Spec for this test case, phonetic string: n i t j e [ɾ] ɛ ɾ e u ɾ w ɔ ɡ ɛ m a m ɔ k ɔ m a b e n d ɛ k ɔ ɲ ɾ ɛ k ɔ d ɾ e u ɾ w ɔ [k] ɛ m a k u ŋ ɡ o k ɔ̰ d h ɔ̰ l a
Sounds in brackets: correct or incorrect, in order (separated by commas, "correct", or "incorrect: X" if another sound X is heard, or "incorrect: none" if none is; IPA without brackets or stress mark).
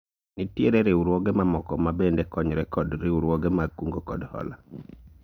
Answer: correct, incorrect: ɡ